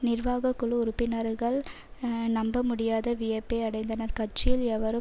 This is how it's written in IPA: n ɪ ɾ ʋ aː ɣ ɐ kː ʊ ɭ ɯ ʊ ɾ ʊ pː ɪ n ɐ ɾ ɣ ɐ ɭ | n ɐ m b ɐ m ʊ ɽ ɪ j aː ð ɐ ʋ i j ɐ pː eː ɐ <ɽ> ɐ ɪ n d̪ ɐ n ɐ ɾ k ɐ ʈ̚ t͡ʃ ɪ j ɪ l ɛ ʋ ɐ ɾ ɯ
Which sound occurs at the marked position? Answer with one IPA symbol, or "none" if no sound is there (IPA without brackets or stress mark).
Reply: ɽ